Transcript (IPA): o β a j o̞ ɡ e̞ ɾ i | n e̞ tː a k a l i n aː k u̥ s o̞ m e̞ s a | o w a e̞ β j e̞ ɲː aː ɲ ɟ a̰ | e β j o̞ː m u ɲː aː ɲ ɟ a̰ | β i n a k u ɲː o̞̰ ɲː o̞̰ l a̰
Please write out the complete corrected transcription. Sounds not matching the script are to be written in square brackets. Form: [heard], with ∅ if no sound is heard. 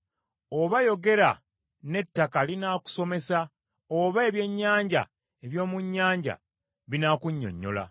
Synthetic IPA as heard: o β a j o̞ ɡ e̞ ɾ [a] | n e̞ tː a k a l i n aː k u̥ s o̞ m e̞ s a | o [β] a e̞ β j e̞ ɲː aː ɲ ɟ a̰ | e β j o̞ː m u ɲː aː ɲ ɟ a̰ | β i n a k u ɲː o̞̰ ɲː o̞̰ l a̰